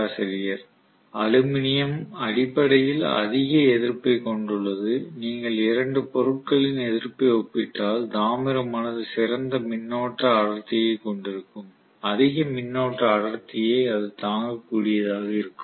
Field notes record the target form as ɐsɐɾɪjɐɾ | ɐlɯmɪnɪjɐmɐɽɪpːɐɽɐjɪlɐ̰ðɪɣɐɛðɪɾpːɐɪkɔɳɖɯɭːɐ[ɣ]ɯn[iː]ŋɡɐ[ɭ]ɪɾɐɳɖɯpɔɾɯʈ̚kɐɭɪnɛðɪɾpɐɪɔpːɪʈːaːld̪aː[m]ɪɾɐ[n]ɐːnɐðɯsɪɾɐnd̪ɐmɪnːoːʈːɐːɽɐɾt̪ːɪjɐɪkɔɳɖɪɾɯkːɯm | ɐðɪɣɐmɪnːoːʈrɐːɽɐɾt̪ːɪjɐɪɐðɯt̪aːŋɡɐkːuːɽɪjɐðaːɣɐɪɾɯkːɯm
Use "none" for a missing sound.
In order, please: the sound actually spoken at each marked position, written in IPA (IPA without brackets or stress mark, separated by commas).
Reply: ð, iː, ɭ, m, m